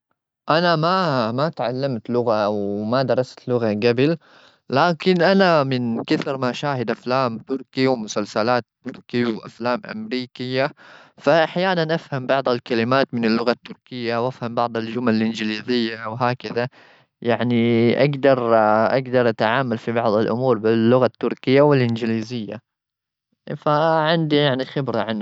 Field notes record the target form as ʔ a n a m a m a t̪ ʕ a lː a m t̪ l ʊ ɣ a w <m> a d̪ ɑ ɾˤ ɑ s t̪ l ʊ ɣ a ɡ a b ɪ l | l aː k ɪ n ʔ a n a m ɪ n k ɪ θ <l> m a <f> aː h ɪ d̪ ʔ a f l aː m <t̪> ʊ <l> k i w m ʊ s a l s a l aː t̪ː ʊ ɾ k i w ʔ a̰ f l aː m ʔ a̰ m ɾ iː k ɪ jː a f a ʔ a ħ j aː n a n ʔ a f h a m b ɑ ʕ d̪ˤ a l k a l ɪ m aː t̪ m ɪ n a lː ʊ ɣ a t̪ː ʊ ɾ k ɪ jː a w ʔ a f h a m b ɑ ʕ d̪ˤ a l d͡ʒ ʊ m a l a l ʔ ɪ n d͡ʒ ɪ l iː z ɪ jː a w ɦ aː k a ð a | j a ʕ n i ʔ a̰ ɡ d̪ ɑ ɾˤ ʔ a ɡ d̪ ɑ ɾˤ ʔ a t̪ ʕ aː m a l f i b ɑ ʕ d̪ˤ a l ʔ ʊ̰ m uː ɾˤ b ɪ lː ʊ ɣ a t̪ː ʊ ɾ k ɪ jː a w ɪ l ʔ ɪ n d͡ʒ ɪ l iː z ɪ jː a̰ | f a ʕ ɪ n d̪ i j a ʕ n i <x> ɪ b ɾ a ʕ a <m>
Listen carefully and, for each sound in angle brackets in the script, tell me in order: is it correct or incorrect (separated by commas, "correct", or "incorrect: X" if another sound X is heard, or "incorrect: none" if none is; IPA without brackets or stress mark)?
correct, incorrect: ɾ, incorrect: ʃ, correct, incorrect: ɾ, correct, incorrect: n